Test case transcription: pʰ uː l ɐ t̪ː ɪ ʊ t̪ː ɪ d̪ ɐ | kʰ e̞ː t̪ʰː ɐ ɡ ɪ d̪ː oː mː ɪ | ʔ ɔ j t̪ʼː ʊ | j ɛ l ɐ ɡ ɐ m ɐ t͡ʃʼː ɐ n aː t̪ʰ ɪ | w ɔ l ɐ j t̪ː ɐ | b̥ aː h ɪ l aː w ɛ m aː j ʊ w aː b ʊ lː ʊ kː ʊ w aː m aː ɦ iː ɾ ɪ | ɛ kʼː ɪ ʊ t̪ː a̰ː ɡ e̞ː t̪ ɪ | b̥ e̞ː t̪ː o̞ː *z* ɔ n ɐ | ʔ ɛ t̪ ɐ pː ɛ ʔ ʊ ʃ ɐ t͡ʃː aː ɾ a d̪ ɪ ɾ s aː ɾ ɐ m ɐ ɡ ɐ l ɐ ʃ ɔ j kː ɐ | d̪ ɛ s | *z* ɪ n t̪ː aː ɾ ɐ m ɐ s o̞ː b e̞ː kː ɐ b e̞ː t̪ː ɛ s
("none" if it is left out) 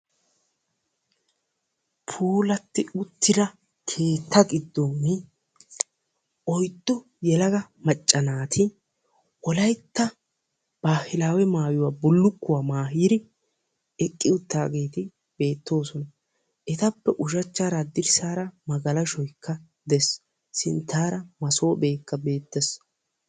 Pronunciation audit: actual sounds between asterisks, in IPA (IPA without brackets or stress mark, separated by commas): s, s